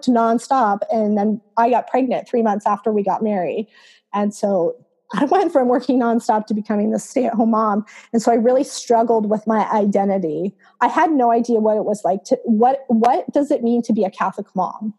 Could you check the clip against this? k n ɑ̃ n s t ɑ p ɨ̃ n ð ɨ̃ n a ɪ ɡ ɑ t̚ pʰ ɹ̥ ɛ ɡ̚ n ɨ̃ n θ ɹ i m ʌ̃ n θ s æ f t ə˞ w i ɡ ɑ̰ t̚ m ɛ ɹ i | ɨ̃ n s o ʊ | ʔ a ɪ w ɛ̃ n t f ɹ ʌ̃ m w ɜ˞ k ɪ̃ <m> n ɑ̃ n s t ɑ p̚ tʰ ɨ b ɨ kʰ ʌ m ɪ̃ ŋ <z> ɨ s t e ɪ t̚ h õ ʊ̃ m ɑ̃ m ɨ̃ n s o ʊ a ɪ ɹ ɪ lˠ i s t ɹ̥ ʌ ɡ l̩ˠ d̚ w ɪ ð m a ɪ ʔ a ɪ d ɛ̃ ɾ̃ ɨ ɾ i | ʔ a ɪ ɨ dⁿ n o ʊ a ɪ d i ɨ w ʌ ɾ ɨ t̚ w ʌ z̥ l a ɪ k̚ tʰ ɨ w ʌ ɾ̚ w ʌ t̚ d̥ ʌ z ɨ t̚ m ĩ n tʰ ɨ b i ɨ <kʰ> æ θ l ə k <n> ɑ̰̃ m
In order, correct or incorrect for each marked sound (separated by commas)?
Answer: incorrect, incorrect, correct, incorrect